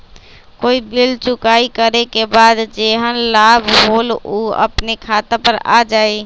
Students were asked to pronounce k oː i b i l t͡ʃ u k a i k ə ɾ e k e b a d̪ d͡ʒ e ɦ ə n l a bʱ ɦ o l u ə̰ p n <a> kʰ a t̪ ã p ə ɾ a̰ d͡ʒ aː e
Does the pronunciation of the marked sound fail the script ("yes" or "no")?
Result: yes